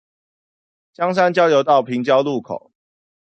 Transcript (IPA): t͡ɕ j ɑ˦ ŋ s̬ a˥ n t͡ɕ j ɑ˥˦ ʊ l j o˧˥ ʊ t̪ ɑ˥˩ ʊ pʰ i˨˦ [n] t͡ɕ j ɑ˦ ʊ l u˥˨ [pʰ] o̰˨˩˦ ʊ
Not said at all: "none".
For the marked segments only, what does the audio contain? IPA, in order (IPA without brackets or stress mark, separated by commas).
ŋ, kʰ